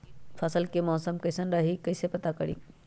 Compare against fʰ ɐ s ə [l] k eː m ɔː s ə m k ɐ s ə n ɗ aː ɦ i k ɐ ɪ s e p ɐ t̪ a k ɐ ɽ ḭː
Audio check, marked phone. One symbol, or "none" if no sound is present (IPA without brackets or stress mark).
l